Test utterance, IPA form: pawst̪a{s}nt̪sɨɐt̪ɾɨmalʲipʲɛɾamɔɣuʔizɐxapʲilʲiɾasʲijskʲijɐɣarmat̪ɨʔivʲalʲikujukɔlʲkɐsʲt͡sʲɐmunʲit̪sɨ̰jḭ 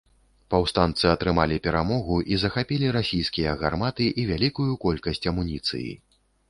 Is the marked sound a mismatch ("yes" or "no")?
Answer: yes